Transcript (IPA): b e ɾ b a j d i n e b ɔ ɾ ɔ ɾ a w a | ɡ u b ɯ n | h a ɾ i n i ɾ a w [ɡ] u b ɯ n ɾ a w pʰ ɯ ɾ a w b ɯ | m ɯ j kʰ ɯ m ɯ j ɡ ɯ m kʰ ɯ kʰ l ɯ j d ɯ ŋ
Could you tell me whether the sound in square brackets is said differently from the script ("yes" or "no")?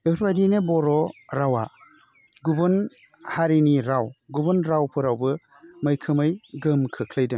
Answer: no